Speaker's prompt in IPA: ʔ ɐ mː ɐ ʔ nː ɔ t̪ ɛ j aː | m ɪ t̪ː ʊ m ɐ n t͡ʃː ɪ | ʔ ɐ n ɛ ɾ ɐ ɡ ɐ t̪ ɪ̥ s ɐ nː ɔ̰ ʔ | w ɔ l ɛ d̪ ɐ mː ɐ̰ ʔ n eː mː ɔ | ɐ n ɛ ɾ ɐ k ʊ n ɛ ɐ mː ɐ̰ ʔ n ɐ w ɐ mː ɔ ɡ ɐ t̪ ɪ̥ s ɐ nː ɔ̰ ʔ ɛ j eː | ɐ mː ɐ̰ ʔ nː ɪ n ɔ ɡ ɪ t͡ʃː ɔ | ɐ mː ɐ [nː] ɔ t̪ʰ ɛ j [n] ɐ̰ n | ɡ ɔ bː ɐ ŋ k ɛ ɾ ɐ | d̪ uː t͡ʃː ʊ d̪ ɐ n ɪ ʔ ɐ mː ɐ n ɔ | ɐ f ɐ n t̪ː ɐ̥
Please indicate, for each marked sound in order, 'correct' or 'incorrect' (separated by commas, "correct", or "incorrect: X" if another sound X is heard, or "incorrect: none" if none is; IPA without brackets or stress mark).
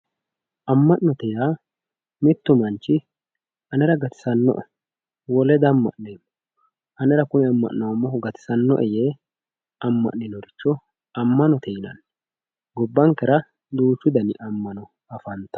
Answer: incorrect: n, correct